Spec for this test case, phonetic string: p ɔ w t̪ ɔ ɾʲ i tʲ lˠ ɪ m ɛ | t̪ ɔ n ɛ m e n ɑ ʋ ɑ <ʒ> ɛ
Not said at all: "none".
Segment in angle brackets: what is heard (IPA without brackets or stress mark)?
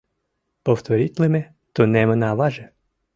ʒ